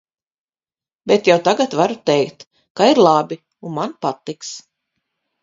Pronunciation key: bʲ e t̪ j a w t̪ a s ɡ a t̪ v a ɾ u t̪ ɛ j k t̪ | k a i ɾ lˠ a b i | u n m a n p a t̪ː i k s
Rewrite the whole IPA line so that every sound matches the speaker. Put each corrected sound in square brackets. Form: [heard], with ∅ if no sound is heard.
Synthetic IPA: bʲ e t̪ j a w t̪ a [∅] ɡ a t̪ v a ɾ u t̪ ɛ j k t̪ | k a i ɾ lˠ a b i | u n m a n p a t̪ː i k s